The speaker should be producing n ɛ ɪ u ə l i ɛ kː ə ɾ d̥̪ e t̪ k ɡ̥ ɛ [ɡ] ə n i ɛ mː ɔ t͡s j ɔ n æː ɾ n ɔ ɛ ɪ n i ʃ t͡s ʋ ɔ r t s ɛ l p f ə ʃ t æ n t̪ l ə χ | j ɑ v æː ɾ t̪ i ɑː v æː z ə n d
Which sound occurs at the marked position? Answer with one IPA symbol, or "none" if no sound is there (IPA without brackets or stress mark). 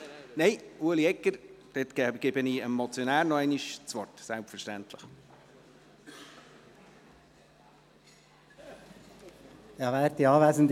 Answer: b